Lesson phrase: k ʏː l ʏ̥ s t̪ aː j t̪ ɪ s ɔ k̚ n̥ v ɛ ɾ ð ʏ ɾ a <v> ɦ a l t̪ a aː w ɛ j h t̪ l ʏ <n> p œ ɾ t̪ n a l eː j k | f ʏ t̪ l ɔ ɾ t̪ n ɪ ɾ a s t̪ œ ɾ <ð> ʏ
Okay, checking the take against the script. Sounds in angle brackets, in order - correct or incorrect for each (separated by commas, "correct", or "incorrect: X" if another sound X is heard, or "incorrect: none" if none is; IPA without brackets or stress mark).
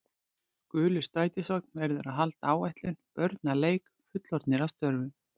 incorrect: ð, correct, incorrect: v